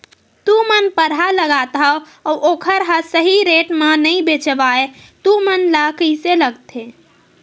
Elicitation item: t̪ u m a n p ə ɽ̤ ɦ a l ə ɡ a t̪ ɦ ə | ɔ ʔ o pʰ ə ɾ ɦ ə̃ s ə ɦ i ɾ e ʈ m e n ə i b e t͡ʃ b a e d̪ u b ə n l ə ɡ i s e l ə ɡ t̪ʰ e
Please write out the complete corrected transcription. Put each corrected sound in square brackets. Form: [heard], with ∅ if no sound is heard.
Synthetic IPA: t̪ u m [ə] n p ə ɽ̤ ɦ a l ə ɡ a t̪ ɦ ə | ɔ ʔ o [kʰ] ə ɾ ɦ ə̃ s ə ɦ i ɾ e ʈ m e n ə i b e t͡ʃ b a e [t̪] u [m] ə n l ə [k] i s e l ə ɡ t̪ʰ e